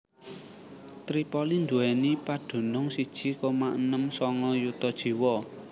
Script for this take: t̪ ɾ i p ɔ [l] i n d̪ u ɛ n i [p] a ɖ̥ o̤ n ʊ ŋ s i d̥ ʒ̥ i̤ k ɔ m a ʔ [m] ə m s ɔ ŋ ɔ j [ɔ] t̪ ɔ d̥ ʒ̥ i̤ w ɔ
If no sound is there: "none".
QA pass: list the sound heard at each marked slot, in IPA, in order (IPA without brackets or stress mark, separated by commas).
l, p, n, u